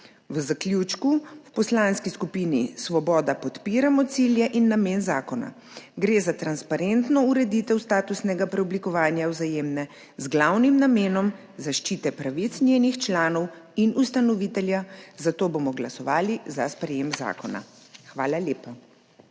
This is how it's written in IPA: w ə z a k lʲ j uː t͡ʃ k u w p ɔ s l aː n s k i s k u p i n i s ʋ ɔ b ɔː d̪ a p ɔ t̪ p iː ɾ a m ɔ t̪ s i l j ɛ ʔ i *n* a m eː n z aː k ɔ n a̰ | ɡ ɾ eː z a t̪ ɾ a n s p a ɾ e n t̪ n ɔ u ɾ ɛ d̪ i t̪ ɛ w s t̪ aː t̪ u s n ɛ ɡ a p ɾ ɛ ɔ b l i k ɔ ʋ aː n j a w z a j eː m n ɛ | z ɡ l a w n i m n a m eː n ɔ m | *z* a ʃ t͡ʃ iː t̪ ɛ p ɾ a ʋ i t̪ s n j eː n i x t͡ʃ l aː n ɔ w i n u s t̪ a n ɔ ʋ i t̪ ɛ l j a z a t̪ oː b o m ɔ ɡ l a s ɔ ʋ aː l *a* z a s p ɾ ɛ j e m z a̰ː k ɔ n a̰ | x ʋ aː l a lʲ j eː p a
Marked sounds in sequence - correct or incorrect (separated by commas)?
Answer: incorrect, correct, incorrect